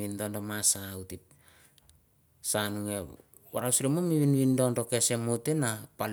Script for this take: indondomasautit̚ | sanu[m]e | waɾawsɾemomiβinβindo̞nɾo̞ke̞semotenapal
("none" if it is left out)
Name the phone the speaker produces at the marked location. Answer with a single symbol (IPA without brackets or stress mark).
ŋ